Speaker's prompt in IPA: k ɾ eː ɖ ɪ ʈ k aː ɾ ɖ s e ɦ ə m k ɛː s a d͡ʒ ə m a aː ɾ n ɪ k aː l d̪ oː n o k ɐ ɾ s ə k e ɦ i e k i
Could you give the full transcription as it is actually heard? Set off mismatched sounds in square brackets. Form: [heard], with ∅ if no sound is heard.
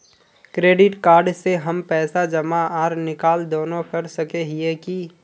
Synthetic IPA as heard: k ɾ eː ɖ ɪ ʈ k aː ɾ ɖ s e ɦ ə m [p] ɛː s a d͡ʒ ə m a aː ɾ n ɪ k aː l d̪ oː n o k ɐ ɾ s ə k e ɦ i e k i